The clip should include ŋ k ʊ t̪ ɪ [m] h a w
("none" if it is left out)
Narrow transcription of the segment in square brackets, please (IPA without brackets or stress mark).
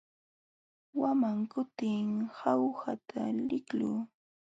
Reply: ŋ